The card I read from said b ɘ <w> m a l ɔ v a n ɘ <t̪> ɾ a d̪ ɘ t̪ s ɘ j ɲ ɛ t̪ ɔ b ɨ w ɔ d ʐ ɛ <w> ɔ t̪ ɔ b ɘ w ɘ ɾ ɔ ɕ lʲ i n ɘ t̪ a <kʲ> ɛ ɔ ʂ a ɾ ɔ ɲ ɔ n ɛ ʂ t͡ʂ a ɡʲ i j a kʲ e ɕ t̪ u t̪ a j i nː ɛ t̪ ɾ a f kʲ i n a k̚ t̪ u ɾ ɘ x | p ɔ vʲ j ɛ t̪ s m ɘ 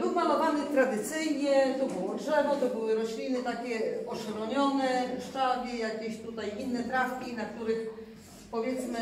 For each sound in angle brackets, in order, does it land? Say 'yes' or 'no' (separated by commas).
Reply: yes, yes, no, yes